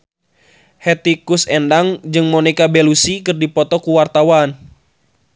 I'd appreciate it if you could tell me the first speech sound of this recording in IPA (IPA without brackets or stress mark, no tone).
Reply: h